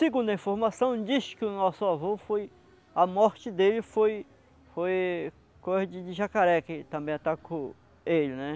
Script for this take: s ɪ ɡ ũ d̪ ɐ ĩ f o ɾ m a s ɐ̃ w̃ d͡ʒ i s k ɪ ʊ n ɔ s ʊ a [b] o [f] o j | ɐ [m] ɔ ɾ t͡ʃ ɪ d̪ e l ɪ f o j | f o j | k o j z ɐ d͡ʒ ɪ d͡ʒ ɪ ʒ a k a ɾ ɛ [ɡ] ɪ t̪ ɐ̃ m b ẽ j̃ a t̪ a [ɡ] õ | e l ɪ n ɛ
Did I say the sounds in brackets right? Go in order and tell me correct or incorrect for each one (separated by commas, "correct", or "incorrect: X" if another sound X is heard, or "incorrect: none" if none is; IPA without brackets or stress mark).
incorrect: v, correct, correct, incorrect: k, incorrect: k